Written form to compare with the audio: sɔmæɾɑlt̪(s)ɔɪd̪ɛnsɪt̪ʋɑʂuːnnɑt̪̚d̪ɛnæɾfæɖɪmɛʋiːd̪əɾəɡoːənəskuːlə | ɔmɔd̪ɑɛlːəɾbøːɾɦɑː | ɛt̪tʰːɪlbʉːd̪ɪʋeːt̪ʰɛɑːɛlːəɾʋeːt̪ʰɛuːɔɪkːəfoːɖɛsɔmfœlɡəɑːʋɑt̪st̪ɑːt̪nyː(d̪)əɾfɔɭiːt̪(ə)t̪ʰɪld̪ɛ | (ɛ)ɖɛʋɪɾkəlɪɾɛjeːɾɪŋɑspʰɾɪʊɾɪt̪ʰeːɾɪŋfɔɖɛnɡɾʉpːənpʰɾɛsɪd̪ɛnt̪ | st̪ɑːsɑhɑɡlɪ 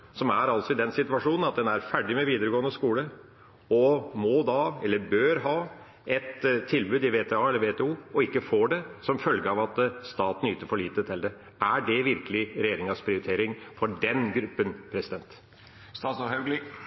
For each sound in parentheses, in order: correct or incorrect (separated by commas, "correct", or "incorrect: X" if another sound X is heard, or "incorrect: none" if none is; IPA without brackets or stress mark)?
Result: correct, incorrect: t̪, correct, incorrect: æ